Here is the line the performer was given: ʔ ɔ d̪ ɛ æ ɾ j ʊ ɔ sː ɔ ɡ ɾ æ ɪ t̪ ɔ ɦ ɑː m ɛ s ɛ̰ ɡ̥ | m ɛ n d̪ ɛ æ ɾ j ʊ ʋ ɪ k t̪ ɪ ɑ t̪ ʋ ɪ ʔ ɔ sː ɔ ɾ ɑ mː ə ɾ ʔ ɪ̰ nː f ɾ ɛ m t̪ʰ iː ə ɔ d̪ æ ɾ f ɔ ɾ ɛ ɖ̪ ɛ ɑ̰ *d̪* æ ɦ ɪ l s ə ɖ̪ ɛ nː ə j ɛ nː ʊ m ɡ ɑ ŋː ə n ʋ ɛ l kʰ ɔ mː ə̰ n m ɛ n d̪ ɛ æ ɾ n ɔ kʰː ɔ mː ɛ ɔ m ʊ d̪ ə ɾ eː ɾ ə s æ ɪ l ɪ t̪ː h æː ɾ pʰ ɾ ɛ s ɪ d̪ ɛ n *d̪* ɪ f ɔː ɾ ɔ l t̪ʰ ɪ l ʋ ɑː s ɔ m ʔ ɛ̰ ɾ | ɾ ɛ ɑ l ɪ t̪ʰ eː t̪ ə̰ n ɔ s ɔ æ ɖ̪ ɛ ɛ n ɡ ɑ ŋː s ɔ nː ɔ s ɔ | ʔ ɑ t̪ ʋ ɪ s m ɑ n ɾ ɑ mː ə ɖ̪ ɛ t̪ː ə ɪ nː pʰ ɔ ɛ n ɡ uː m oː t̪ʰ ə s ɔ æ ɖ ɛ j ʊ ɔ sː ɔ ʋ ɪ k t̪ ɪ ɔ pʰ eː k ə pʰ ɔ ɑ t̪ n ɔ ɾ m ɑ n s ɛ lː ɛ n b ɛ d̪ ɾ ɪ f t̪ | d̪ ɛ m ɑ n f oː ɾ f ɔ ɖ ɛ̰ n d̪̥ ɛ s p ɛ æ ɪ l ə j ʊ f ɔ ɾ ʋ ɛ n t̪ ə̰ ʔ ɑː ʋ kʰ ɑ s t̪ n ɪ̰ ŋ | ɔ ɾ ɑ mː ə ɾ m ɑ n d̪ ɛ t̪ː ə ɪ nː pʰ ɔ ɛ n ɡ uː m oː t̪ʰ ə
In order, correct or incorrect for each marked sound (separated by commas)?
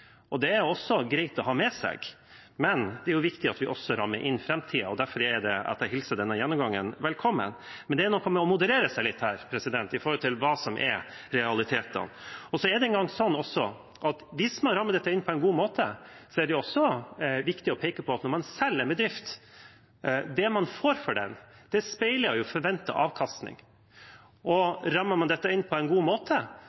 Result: incorrect, incorrect